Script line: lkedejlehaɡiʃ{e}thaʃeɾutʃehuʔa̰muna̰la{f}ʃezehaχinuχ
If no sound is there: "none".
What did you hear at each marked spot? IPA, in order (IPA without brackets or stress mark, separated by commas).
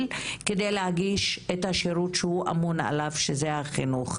e, v